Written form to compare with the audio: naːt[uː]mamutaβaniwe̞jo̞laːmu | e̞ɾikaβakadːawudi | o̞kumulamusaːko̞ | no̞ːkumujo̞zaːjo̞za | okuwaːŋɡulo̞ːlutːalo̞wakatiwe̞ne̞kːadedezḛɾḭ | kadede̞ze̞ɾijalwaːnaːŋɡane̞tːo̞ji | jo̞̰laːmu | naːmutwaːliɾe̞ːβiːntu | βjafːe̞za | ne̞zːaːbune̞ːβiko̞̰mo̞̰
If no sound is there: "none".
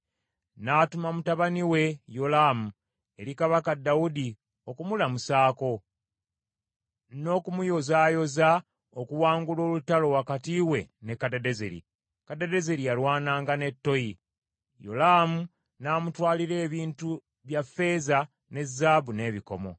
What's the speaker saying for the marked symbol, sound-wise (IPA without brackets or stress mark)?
u